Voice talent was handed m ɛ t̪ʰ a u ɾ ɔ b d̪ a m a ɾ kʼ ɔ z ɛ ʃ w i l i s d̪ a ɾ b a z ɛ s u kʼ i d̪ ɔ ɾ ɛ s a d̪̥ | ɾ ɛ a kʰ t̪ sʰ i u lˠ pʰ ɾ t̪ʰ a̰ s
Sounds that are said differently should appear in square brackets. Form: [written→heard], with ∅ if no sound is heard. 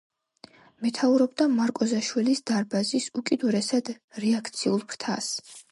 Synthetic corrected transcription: m ɛ t̪ʰ a u ɾ ɔ b d̪ a m a ɾ kʼ ɔ z [ɛ→a] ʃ w i l i s d̪ a ɾ b a z [ɛ→i] s u kʼ i d̪ [ɔ→u] ɾ ɛ s a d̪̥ | ɾ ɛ a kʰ t̪ sʰ i u lˠ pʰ ɾ t̪ʰ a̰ s